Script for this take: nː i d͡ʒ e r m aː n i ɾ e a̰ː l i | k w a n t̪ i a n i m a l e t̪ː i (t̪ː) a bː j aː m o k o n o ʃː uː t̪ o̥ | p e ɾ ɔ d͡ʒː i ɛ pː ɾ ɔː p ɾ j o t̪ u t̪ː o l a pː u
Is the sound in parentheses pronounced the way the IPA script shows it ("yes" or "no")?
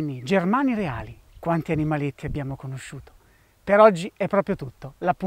no